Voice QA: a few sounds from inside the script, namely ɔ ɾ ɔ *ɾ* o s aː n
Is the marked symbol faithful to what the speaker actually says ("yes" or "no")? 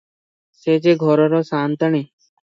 yes